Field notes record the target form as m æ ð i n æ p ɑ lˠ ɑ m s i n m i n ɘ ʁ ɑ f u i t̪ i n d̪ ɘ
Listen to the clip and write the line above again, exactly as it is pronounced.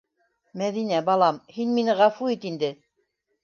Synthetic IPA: m æ ð i n æ b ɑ lˠ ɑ m h i n m i n ɘ ʁ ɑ f u i t̪ i n d̪ ɘ